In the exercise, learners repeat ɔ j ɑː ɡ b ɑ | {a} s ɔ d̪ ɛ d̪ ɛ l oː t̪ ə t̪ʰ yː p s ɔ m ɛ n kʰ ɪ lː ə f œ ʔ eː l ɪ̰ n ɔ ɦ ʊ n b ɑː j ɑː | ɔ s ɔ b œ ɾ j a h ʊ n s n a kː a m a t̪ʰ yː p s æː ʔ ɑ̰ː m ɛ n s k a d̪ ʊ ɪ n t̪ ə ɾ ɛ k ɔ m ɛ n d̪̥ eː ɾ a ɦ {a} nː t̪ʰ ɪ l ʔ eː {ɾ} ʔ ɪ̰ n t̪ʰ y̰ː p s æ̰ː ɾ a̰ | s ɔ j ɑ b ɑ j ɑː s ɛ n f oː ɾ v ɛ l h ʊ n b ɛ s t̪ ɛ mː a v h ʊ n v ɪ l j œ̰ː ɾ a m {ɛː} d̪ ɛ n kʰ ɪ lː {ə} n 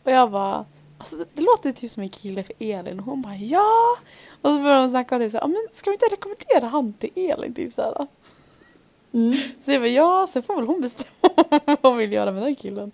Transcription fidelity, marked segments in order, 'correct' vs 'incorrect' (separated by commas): correct, correct, incorrect, incorrect, correct